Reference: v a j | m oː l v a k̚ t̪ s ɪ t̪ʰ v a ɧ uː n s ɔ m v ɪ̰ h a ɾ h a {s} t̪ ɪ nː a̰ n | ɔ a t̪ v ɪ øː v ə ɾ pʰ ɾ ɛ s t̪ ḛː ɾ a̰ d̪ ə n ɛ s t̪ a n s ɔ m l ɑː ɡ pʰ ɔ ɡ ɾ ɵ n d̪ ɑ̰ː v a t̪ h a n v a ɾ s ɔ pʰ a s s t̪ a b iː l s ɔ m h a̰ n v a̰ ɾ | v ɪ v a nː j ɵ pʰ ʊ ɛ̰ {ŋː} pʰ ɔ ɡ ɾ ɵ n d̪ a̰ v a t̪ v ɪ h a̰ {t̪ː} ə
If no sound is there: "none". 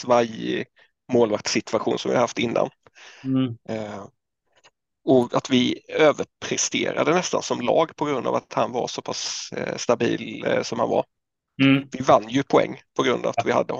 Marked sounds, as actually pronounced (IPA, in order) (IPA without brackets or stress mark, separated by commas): f, ŋː, d̪ː